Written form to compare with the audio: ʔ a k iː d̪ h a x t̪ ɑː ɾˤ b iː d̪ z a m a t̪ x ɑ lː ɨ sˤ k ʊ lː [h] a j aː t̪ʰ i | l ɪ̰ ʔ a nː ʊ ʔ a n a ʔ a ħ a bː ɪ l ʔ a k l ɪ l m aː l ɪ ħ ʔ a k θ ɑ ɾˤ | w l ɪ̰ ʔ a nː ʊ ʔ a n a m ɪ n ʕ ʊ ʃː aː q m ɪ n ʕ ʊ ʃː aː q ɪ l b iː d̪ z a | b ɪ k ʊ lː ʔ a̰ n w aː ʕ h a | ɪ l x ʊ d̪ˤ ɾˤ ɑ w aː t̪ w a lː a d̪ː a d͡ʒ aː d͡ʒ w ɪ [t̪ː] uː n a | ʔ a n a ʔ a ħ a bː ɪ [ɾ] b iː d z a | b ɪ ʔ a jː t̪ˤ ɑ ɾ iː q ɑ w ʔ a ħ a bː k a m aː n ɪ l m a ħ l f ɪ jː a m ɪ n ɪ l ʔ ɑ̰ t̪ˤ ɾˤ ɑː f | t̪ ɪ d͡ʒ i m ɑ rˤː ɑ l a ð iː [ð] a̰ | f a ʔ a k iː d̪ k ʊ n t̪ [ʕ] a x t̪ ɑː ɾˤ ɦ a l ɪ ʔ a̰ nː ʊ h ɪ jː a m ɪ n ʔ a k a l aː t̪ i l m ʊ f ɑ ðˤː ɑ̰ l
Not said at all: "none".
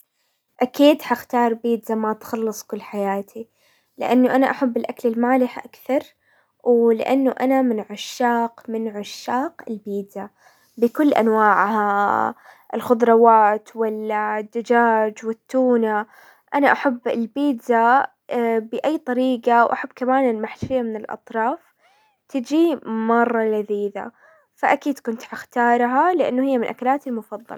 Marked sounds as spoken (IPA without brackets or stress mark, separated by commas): ħ, t̪ː, l, ð, ʕ